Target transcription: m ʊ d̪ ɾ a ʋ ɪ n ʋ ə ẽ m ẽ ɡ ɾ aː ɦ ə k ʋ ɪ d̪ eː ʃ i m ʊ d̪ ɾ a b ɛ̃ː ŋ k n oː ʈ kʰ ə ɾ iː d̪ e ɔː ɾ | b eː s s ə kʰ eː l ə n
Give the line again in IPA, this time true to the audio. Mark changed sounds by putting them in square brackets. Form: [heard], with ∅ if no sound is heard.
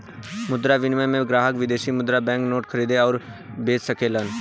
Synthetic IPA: m ʊ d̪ ɾ a ʋ ɪ n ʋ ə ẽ m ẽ ɡ ɾ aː ɦ ə k ʋ ɪ d̪ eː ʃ i m ʊ d̪ ɾ a b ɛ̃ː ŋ k n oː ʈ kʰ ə ɾ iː d̪ e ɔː ɾ | b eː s s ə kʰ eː l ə n